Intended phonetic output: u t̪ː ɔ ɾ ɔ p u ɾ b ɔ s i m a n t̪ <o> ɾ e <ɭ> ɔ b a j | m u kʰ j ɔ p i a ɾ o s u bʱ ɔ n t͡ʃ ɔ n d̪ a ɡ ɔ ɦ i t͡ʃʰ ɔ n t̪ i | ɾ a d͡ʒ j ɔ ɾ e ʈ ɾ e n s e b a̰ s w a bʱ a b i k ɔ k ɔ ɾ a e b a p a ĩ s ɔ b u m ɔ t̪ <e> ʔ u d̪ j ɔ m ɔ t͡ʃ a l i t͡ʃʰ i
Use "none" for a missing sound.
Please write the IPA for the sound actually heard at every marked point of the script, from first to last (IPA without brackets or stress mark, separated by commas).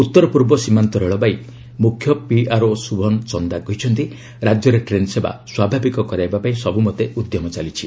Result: ɔ, ɭ, e